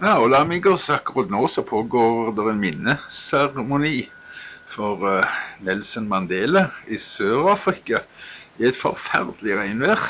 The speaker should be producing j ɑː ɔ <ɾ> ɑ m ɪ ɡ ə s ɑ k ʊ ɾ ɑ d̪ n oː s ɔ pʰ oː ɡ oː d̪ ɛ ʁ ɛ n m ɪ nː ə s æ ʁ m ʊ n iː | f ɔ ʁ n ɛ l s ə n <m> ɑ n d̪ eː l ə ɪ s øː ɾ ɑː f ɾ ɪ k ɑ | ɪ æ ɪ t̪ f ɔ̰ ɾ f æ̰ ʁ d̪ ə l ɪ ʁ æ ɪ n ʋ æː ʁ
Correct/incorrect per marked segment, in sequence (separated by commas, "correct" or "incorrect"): incorrect, correct